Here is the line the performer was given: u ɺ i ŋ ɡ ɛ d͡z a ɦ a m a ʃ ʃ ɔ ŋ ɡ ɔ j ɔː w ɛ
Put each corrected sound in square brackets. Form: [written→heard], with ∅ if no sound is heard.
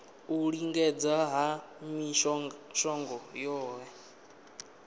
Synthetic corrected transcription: u ɺ i ŋ ɡ ɛ d͡z a ɦ a m [a→i] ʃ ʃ ɔ ŋ ɡ ɔ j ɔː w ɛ